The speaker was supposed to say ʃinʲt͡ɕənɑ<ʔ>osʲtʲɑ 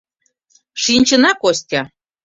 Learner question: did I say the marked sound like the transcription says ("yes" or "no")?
no